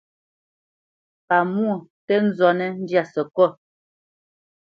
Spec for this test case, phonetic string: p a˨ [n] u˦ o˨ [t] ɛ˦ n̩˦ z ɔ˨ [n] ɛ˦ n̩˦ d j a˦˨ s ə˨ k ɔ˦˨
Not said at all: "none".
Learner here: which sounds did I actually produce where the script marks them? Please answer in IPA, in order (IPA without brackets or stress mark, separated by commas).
m, t, n